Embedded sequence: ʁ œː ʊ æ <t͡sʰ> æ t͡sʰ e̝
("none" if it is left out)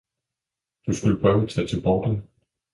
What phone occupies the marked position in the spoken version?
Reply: t͡sʰ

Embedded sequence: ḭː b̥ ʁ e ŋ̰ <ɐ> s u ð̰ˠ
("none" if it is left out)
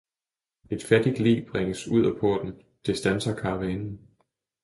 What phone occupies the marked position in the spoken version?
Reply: ə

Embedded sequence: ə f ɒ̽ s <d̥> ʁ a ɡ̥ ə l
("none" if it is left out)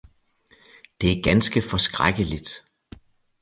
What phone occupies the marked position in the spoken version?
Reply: ɡ̥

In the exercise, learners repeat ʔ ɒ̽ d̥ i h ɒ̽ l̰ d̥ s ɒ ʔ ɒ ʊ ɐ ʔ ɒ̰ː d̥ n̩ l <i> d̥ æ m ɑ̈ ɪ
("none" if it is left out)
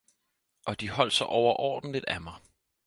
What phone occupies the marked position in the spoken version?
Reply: i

